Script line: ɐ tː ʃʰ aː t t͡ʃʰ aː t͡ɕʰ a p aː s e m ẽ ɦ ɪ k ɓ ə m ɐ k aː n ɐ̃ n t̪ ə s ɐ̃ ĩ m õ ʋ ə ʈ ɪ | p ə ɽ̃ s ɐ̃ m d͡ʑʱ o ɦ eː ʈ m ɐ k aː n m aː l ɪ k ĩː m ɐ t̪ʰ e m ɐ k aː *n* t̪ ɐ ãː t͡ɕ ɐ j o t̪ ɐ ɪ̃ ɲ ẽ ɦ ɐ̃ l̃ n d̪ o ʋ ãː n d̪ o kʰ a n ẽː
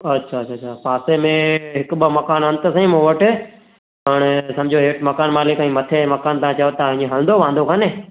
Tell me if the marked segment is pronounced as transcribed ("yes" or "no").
yes